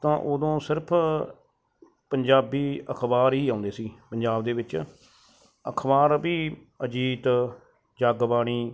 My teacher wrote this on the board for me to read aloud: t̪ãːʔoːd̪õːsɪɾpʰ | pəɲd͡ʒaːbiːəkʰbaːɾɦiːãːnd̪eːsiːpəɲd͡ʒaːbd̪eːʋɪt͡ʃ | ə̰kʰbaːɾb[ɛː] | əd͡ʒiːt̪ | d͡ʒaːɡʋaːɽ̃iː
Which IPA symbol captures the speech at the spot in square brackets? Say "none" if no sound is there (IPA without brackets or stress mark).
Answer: iː